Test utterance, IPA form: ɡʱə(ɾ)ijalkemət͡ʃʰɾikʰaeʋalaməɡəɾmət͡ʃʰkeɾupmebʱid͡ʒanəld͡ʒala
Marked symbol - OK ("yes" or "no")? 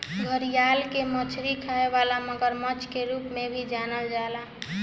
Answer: yes